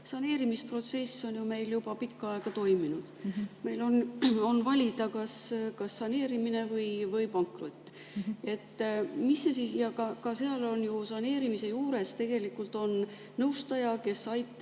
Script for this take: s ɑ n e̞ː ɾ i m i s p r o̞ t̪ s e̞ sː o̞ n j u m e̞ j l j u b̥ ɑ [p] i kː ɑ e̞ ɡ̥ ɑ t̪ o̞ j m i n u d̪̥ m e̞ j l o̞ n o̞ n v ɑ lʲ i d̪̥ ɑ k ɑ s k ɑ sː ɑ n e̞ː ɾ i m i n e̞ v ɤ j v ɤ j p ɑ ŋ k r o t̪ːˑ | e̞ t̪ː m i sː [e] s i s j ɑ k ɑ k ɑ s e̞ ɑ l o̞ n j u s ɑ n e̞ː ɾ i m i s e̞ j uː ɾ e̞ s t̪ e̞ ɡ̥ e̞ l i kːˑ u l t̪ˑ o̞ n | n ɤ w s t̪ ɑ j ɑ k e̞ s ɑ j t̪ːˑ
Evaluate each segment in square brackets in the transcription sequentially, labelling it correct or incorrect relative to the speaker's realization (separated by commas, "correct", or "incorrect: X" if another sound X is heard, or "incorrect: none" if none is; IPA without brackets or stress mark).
correct, correct